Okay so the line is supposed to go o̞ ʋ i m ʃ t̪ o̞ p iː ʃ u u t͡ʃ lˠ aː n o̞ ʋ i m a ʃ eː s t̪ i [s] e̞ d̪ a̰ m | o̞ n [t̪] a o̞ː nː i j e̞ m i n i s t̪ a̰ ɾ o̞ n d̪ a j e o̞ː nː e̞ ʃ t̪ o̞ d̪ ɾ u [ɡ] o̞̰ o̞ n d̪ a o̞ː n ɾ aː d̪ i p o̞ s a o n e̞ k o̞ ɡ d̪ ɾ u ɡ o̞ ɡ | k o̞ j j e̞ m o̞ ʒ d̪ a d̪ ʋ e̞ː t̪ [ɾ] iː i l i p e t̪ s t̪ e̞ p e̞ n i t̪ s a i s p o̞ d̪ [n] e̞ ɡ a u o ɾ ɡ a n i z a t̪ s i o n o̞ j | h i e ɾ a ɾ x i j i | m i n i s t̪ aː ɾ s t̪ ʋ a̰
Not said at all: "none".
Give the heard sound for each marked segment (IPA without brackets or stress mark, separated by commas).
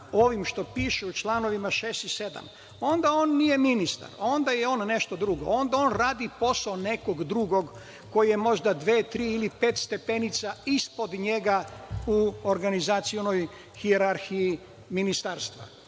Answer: s, d̪, ɡ, ɾ, ɲ